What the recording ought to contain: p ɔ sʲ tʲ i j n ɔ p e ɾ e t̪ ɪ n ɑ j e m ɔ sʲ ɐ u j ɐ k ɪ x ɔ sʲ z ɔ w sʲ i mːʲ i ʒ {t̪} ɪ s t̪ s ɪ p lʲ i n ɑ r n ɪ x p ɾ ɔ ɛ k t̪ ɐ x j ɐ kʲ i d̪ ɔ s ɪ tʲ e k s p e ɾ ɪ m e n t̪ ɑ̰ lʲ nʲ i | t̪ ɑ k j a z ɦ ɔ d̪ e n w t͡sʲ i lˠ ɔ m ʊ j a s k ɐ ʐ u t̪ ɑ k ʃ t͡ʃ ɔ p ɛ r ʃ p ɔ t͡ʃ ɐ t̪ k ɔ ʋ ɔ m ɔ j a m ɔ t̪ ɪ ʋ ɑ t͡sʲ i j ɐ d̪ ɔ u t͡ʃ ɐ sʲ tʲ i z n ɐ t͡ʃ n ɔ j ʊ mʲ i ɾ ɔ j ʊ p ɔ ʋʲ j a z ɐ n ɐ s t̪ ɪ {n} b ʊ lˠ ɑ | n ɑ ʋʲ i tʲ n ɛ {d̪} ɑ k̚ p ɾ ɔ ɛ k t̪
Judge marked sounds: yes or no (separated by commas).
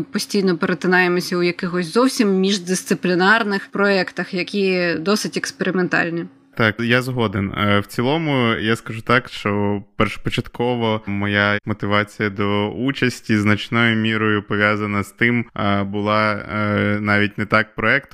no, no, no